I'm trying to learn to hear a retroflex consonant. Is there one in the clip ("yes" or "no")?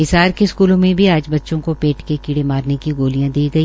yes